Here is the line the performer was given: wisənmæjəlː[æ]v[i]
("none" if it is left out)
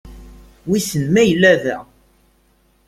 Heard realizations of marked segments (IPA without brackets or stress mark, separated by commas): æ, æ